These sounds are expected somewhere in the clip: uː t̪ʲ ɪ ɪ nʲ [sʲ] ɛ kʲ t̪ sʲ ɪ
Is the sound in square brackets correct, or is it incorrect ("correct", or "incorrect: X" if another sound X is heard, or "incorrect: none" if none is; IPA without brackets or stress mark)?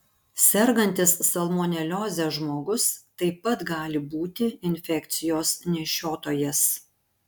incorrect: fʲ